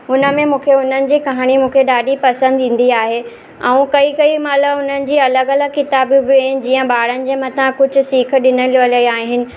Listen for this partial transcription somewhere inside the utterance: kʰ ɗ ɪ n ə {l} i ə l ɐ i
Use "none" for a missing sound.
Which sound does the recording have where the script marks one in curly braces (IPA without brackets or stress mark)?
l